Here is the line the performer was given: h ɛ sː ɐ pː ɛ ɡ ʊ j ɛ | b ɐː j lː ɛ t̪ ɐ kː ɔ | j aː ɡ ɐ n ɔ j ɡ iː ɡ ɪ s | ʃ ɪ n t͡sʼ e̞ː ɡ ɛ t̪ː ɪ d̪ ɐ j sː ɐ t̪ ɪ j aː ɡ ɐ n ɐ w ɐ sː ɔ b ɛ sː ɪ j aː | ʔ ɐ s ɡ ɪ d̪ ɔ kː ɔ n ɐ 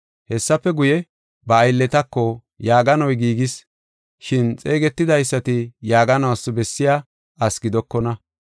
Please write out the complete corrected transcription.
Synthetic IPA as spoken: h ɛ sː ɐ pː ɛ ɡ ʊ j ɛ | b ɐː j lː ɛ t̪ ɐ kː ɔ | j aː ɡ ɐ n ɔ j ɡ iː ɡ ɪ s | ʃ ɪ n t͡sʼ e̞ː ɡ ɛ t̪ː ɪ d̪ ɐ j sː ɐ t̪ ɪ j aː ɡ ɐ n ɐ w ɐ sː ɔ b ɛ sː ɪ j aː | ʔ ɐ s ɡ ɪ d̪ ɔ kː ɔ n ɐ